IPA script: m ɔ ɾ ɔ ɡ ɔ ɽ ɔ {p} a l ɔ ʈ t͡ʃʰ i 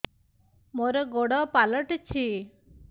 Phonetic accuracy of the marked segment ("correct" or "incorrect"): correct